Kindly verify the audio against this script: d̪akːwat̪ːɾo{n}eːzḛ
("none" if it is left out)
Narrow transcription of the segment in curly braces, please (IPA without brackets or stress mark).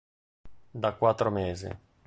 m